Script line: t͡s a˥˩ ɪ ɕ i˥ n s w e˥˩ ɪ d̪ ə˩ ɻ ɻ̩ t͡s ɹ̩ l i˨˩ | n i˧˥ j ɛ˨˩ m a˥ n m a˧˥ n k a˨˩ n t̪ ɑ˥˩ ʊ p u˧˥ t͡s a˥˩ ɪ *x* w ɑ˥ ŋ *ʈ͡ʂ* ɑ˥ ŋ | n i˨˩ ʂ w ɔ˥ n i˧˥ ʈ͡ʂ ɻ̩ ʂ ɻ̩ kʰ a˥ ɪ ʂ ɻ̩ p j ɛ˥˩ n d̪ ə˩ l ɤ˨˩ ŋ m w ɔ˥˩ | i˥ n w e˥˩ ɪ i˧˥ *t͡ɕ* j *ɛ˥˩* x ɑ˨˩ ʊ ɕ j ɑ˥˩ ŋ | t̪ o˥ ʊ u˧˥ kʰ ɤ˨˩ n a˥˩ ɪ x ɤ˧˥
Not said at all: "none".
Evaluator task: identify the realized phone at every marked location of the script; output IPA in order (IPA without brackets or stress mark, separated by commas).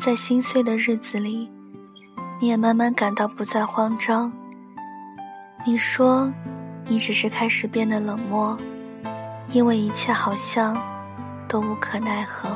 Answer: x, ʈ͡ʂ, t͡ɕʰ, ɛ˥˩